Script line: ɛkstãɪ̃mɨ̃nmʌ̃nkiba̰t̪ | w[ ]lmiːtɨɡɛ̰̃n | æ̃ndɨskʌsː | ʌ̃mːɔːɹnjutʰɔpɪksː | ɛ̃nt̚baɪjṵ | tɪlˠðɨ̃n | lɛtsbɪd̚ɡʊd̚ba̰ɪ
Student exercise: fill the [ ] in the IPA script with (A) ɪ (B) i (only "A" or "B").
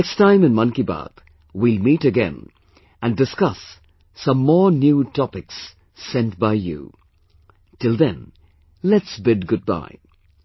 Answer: B